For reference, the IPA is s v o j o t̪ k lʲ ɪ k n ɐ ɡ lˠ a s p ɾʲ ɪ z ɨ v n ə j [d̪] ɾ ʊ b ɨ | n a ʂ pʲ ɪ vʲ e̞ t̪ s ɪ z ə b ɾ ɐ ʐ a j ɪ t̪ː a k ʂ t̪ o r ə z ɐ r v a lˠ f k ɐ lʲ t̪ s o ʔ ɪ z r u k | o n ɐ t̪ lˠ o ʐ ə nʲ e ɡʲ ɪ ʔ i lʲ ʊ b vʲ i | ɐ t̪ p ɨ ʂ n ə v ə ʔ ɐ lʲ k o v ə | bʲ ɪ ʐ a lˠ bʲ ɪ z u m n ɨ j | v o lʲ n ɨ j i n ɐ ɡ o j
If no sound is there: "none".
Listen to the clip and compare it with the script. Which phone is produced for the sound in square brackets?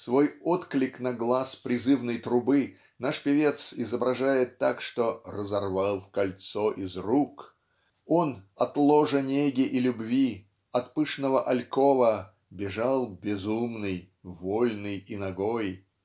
t̪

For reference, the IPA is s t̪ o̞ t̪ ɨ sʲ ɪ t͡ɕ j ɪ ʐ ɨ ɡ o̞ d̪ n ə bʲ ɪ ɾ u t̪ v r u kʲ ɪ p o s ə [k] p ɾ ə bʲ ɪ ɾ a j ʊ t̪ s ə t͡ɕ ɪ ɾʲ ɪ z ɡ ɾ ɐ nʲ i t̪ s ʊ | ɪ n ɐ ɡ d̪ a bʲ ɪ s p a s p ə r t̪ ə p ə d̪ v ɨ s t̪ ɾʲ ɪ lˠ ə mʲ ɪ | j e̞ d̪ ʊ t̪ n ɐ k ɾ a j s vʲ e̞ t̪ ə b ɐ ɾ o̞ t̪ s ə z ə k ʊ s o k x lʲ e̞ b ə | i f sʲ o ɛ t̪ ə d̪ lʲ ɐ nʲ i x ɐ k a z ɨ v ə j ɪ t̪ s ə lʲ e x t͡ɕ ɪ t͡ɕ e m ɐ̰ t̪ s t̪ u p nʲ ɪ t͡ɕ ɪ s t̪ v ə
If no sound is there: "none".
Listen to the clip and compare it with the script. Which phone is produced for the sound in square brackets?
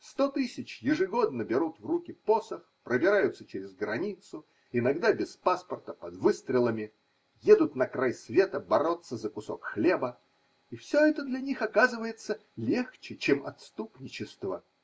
x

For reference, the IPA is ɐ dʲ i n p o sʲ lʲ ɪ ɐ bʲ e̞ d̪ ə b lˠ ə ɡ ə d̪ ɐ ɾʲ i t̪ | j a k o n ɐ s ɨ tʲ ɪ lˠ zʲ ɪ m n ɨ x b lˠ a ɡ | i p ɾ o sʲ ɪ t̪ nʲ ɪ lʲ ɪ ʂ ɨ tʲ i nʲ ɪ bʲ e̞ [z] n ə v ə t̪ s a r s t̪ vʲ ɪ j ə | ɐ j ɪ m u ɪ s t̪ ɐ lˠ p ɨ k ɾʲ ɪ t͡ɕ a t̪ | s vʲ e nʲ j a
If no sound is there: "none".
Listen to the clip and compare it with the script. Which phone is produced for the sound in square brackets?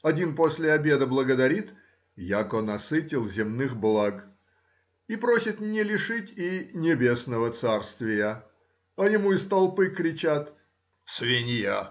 s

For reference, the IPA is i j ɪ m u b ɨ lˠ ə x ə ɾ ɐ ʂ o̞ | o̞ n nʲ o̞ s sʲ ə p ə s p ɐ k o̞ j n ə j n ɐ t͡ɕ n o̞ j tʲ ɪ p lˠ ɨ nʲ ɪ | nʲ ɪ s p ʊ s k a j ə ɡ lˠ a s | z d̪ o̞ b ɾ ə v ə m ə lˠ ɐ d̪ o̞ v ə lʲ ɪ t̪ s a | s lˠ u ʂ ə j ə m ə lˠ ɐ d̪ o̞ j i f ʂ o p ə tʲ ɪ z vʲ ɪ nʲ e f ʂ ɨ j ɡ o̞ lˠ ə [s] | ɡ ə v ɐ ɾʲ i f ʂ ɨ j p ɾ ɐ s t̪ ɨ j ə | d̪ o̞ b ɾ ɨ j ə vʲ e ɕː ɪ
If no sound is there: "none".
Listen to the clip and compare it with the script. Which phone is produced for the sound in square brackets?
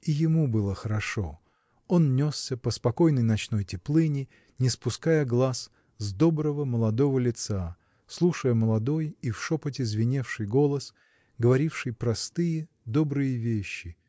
s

